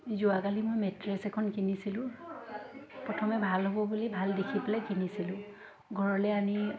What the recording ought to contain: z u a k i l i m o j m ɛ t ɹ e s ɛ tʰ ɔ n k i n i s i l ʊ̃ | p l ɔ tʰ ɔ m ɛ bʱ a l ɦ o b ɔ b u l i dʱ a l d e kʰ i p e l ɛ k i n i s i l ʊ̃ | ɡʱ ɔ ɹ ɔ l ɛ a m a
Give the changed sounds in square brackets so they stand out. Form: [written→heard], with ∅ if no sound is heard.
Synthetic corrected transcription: z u a k [i→a] l i m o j m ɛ t ɹ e s ɛ [tʰ→kʰ] ɔ n k i n i s i l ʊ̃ | p [l→ɹ] ɔ tʰ ɔ m ɛ bʱ a l ɦ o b ɔ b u l i [dʱ→bʱ] a l d e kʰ i p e l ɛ k i n i s i l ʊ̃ | ɡʱ ɔ ɹ ɔ l ɛ a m [a→i]